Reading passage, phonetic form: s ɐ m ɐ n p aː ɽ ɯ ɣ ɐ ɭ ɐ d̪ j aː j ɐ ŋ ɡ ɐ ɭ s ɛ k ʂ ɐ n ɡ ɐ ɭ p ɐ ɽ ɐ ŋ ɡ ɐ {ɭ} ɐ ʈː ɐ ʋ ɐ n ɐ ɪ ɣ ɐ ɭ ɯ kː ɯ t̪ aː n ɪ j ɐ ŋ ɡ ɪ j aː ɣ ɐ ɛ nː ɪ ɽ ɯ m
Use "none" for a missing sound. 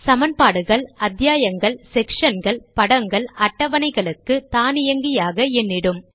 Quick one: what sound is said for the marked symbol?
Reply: ɭ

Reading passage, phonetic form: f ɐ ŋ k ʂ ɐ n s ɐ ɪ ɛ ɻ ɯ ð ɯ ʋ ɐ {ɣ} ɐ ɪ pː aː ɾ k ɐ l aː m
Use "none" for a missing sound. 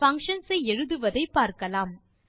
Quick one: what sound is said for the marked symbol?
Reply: ð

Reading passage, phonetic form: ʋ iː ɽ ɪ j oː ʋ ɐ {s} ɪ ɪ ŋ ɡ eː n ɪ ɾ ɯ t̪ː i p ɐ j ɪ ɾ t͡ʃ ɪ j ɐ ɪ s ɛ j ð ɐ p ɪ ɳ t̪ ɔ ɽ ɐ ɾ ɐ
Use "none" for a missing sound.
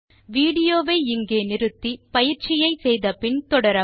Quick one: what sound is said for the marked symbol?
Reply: none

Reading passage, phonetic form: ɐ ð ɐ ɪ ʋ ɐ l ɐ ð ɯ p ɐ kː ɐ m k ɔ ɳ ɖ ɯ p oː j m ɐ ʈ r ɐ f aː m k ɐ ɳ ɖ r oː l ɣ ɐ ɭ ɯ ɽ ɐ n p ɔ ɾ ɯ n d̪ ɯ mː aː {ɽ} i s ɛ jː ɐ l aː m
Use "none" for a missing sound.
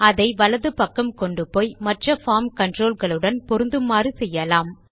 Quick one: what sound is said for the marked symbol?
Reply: r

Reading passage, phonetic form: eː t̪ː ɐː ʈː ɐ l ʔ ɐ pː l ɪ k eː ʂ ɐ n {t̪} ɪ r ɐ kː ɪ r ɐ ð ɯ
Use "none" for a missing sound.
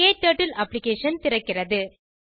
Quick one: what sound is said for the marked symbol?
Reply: t̪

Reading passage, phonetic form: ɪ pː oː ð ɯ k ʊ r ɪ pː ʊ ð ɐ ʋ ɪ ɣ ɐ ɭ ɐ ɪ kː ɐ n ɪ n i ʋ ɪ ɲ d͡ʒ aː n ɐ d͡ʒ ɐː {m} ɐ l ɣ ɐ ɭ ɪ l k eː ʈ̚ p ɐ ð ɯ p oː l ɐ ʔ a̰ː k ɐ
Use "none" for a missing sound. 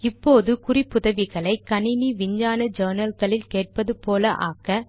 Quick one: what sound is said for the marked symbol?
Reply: n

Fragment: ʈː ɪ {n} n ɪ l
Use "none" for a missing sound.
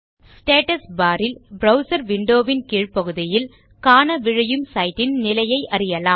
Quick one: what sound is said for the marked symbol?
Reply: n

